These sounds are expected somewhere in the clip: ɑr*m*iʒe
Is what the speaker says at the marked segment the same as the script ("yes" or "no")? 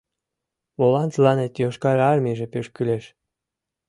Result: yes